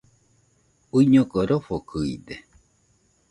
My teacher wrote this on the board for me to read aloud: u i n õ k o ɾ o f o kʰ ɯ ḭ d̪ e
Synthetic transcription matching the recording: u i ɲ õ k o ɾ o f o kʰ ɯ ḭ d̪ e